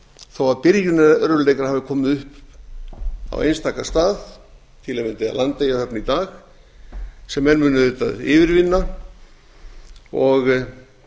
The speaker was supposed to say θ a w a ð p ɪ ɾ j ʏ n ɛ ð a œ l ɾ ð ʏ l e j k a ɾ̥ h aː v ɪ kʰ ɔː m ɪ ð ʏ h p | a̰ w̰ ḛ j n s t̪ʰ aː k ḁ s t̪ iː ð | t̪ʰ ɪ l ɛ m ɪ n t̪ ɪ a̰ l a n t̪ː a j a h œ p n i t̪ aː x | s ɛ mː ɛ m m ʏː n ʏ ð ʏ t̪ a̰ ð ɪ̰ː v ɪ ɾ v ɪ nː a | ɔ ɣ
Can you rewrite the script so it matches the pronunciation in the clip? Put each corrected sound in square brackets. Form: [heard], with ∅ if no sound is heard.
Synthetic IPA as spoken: θ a w a ð p ɪ ɾ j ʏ n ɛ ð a œ [∅] ɾ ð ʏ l e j k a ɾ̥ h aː v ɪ kʰ ɔː m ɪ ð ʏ h p | a̰ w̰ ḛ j n s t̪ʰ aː k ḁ s t̪ [aː] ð | t̪ʰ ɪ l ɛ m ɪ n t̪ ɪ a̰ l a n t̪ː [e] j a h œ p n i t̪ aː x | s ɛ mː ɛ [n] m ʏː n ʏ ð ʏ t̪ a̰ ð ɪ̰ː v ɪ ɾ v ɪ nː a | ɔ ɣ